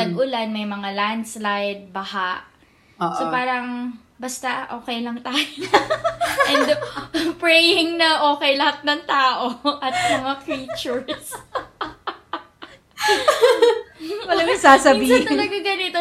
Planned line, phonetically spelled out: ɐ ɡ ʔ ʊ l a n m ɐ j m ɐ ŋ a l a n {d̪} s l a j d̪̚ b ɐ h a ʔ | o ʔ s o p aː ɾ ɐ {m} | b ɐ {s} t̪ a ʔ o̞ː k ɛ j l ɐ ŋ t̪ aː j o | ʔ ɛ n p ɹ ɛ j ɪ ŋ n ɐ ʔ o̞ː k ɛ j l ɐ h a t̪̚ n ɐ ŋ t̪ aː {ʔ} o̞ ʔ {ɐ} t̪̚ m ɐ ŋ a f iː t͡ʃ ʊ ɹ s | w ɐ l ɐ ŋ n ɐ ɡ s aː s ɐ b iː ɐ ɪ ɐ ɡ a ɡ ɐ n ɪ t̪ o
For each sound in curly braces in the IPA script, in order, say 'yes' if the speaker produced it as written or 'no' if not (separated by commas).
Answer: yes, no, yes, yes, yes